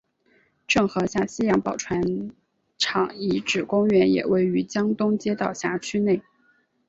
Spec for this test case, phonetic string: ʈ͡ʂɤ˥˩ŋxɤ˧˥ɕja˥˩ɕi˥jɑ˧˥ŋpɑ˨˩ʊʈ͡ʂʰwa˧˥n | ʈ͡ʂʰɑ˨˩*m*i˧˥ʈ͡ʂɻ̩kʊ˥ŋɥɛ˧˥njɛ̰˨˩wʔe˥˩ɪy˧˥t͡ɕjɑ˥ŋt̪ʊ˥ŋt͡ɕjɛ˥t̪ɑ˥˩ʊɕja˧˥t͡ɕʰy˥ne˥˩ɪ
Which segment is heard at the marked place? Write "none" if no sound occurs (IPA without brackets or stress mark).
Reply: ŋ